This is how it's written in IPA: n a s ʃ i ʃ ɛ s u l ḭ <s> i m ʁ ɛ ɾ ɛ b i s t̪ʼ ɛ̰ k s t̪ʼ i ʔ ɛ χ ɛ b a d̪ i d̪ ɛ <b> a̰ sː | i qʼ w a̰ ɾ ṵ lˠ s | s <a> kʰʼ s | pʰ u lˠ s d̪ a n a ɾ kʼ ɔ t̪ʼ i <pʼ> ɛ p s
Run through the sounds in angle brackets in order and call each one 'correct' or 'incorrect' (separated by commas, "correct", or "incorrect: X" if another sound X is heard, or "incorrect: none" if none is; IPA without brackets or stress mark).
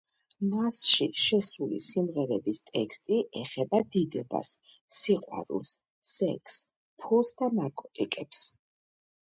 correct, correct, incorrect: ɛ, incorrect: kʼ